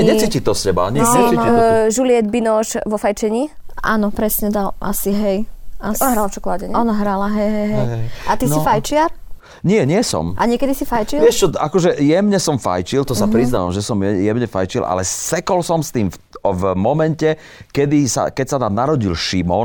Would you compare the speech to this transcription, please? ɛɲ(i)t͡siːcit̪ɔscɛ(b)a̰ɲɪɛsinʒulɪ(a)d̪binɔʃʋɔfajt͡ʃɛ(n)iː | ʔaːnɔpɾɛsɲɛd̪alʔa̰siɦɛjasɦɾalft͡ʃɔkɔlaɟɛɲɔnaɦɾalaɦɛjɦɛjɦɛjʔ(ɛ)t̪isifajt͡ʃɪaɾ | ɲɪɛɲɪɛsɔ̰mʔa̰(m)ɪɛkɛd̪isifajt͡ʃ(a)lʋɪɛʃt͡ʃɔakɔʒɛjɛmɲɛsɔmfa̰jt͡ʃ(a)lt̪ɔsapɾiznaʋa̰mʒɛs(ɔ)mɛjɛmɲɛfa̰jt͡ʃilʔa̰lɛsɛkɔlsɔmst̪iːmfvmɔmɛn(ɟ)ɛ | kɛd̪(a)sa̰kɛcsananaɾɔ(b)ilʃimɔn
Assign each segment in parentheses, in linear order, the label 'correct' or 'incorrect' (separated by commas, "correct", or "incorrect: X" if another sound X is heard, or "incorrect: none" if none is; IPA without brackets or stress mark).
incorrect: ɛ, correct, incorrect: ɛ, incorrect: ɲ, incorrect: a, incorrect: ɲ, incorrect: i, incorrect: i, correct, incorrect: c, incorrect: i, incorrect: ɟ